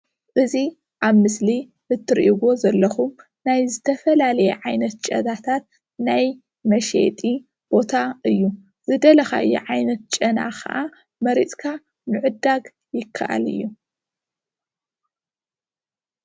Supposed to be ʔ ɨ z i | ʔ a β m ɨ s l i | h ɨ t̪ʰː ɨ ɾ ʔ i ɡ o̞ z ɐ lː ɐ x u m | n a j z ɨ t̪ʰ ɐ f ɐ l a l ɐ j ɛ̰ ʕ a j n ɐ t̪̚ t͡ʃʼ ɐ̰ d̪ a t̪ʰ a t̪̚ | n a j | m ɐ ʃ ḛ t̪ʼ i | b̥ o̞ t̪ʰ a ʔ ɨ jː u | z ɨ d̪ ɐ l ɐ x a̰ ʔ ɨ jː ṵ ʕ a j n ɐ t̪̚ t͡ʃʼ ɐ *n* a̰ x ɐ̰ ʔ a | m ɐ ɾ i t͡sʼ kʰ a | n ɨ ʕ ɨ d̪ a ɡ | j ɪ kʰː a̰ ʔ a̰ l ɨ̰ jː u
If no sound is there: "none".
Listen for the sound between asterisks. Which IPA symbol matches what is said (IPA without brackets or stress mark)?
n